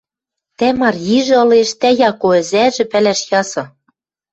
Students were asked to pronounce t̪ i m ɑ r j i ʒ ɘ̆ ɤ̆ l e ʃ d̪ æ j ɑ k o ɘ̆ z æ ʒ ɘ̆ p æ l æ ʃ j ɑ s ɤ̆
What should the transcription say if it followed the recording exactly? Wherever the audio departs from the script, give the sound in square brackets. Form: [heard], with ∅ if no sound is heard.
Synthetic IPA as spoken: t̪ [æ] m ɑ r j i ʒ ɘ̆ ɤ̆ l e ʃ [t̪] æ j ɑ k o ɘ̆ z æ ʒ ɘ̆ p æ l æ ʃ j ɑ s ɤ̆